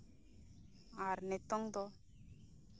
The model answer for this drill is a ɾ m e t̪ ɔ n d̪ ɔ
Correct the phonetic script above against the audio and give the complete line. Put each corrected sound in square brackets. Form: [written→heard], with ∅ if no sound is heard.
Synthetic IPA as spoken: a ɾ [m→n] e t̪ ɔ [n→ŋ] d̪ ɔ